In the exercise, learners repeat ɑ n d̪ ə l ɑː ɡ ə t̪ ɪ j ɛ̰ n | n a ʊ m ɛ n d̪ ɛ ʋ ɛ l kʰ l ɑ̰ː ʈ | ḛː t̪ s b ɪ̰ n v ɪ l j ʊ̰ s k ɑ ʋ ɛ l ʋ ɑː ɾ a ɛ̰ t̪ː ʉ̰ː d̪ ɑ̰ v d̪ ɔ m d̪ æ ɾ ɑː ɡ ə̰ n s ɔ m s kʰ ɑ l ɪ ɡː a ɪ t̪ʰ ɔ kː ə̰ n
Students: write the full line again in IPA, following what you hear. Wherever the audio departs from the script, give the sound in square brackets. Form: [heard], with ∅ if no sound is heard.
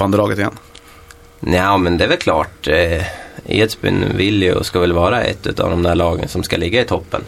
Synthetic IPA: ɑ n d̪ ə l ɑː ɡ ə t̪ ɪ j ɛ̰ n | n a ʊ m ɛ n d̪ ɛ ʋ ɛ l kʰ l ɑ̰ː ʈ | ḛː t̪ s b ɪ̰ n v ɪ l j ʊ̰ s k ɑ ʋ ɛ l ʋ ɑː ɾ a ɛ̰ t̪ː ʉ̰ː [t̪] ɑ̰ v d̪ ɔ m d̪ æ [ɭ] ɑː ɡ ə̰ n s ɔ m s [k] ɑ l ɪ ɡː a ɪ t̪ʰ ɔ [pː] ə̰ n